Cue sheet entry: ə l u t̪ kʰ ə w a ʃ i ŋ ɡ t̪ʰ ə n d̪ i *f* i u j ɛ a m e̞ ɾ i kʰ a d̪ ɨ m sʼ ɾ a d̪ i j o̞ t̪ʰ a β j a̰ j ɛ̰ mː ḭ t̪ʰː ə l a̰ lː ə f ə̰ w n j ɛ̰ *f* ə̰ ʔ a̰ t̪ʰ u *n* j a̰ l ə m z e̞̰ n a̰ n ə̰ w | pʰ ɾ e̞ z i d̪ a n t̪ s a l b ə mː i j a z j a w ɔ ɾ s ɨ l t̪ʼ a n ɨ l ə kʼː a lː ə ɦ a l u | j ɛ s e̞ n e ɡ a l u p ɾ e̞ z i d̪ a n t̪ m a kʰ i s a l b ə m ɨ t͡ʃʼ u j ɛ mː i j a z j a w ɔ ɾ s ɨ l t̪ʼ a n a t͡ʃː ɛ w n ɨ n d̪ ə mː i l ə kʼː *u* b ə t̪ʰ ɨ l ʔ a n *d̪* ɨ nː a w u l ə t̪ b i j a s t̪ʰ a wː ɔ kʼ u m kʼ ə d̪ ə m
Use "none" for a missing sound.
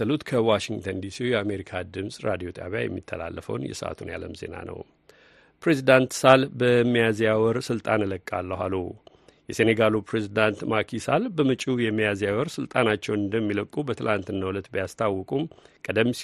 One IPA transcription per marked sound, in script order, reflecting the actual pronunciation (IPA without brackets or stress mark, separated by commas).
s, s, n, u, t̪